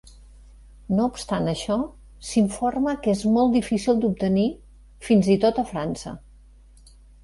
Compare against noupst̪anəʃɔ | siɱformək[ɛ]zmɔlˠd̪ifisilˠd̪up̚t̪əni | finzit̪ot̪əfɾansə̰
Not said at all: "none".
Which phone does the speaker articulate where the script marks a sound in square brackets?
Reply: e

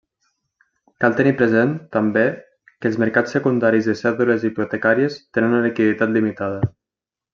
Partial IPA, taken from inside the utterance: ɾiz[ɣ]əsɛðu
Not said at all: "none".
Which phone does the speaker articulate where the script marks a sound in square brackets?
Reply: ð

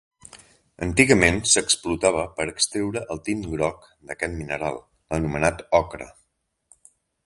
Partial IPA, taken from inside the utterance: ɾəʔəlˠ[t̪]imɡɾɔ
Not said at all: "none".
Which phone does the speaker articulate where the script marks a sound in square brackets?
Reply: t̪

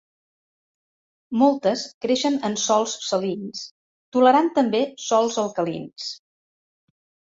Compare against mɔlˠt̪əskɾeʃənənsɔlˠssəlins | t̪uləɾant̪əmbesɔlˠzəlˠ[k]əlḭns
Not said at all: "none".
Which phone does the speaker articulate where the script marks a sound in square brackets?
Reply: k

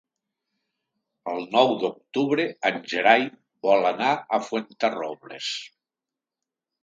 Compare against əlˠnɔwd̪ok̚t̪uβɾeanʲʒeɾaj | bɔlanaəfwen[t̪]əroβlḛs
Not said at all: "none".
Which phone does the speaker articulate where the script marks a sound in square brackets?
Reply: t̪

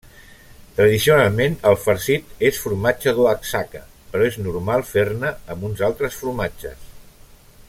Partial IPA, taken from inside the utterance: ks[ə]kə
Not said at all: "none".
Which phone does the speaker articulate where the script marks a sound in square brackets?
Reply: a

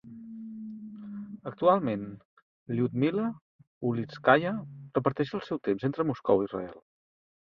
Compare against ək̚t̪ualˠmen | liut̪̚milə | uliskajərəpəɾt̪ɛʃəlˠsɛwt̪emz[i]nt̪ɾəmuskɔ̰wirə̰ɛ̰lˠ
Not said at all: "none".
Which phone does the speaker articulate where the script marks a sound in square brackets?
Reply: e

